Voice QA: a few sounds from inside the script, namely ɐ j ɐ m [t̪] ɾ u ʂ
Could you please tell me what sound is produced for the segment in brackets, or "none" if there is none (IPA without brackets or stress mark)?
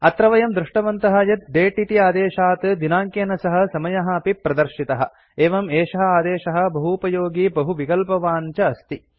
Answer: d̪